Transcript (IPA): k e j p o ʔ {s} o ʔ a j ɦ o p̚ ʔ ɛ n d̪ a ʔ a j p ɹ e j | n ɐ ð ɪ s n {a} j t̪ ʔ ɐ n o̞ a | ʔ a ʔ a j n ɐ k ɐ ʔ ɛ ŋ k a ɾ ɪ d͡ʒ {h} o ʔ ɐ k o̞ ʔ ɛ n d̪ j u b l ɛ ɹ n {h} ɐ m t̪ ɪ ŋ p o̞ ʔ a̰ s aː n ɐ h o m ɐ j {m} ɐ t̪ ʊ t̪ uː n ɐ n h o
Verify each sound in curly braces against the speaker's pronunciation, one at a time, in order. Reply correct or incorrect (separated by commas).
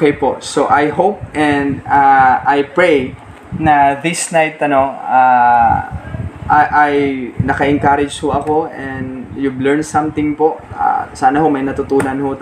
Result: correct, correct, correct, incorrect, incorrect